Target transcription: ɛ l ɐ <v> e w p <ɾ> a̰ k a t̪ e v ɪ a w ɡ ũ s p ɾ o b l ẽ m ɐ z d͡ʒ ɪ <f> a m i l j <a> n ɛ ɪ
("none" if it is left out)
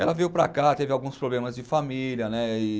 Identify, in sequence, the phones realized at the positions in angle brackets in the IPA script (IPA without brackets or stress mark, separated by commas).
v, ɾ, f, ɐ